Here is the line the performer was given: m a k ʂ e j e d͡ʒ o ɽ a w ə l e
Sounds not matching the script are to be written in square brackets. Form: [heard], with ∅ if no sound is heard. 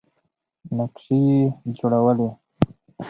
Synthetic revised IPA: [n] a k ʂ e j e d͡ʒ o ɽ a w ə l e